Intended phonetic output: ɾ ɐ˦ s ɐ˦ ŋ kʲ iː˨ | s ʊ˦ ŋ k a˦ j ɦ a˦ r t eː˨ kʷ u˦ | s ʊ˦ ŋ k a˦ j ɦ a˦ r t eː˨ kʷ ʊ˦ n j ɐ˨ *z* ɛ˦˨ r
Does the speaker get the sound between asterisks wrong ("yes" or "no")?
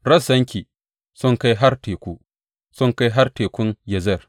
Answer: no